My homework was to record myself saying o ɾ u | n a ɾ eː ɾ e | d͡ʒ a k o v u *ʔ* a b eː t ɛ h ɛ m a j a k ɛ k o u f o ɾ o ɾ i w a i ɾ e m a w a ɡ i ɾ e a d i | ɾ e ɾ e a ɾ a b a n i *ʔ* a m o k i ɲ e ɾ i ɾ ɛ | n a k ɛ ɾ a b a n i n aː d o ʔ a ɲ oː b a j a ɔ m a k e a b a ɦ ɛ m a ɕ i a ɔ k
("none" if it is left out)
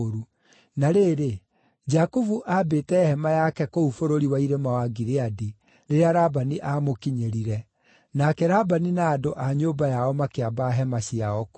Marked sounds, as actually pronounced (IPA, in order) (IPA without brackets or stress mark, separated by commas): ʔ, ʔ